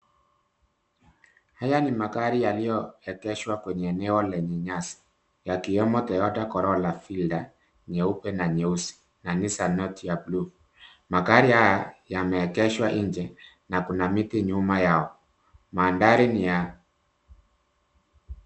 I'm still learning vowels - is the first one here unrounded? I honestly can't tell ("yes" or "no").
yes